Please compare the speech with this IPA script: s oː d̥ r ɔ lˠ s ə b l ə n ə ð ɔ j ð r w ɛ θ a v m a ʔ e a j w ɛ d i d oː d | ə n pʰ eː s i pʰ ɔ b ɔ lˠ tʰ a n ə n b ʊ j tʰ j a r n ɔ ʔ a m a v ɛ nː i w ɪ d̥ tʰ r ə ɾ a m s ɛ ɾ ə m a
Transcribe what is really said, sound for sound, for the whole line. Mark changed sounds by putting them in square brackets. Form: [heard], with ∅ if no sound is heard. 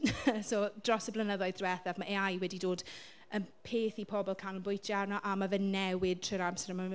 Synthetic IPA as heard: s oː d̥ r ɔ [∅] s ə b l ə n ə ð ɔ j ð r w ɛ θ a v m a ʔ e a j w ɛ d i d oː d | ə n pʰ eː [θ] i pʰ ɔ b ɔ lˠ [kʰ] a n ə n b ʊ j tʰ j a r n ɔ ʔ a m a v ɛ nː [ɛ] w ɪ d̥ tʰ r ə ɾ a m s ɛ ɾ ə m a